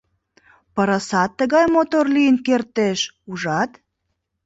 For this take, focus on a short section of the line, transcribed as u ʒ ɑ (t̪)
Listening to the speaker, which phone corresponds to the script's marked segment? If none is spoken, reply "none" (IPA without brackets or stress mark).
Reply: t̪